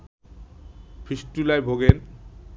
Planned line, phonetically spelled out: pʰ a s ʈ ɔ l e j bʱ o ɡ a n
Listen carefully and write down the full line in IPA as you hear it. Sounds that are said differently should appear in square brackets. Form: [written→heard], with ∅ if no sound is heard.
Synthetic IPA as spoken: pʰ [a→i] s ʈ [ɔ→u] l [e→a] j bʱ o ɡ [a→e] n